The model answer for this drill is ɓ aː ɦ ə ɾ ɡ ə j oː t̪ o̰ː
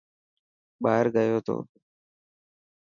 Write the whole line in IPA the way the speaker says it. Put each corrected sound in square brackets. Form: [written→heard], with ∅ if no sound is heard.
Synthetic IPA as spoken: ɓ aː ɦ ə ɾ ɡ ə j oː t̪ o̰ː